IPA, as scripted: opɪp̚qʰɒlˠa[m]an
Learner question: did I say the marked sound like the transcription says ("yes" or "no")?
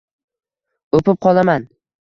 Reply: yes